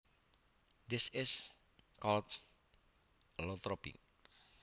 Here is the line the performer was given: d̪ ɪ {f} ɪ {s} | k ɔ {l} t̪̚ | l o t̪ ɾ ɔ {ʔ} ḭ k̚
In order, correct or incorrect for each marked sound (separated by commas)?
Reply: incorrect, correct, correct, incorrect